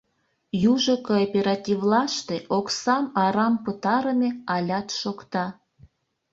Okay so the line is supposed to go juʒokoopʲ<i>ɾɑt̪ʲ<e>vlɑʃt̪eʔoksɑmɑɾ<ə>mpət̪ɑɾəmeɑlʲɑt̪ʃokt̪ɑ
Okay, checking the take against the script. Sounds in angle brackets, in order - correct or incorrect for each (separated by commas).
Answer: incorrect, incorrect, incorrect